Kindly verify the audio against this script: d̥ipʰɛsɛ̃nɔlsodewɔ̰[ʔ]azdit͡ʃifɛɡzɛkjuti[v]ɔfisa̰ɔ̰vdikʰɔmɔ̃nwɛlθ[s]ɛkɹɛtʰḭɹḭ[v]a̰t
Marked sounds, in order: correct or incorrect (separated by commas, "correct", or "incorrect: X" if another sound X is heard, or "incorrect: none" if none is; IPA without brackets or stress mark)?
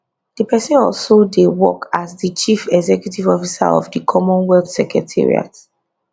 incorrect: k, correct, correct, incorrect: none